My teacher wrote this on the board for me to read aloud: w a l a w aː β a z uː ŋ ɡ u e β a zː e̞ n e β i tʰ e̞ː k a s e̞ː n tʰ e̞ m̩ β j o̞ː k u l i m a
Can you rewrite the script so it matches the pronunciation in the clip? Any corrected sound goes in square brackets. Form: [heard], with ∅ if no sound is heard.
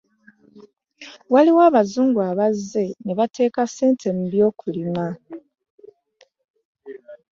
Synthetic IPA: w a l [i] w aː β a z uː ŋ ɡ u [a] β a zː e̞ n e β [a] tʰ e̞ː k a s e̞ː n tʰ e̞ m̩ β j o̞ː k u l i m a